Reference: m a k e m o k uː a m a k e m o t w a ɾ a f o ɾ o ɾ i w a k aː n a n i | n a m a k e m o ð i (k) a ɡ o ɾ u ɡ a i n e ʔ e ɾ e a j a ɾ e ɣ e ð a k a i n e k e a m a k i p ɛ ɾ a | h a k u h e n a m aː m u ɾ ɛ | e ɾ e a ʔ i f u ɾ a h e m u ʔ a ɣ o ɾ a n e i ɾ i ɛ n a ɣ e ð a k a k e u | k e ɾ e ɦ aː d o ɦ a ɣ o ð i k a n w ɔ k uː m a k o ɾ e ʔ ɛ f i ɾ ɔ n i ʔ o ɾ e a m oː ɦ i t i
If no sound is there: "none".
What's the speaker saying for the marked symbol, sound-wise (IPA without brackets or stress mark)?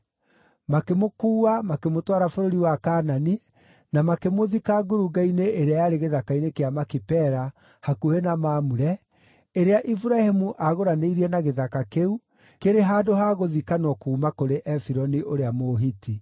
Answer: k